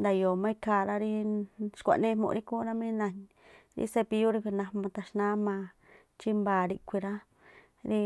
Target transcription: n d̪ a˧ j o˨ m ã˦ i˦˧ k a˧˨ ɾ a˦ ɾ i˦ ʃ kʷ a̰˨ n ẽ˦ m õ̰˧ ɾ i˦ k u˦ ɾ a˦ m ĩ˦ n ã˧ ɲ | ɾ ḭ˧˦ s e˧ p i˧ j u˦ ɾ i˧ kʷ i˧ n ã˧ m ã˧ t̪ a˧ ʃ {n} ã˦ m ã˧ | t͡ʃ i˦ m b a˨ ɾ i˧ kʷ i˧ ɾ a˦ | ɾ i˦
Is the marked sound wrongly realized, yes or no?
no